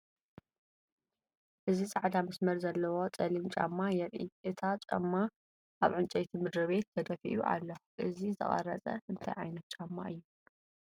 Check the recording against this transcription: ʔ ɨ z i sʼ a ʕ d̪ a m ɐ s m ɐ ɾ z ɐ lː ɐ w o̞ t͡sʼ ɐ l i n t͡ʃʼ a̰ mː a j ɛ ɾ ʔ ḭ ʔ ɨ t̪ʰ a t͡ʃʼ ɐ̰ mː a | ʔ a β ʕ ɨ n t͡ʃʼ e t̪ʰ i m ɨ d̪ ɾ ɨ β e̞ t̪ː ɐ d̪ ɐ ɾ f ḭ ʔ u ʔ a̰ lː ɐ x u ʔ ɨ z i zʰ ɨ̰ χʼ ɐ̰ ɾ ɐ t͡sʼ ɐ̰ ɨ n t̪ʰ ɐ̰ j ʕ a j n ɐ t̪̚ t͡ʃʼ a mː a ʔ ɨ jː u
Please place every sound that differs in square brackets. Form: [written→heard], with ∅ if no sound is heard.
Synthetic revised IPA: ʔ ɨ z i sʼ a ʕ d̪ a m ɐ s m ɐ ɾ z ɐ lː ɐ w o̞ t͡sʼ ɐ l i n t͡ʃʼ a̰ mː a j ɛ ɾ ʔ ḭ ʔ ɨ t̪ʰ a t͡ʃʼ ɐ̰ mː a | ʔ a β ʕ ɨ n t͡ʃʼ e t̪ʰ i m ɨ d̪ ɾ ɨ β e̞ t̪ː ɐ d̪ ɐ [ɾ→∅] f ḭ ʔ u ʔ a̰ lː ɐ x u ʔ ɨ z i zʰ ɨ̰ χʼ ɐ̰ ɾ ɐ t͡sʼ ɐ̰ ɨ n t̪ʰ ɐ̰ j ʕ a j n ɐ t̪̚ t͡ʃʼ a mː a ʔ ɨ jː u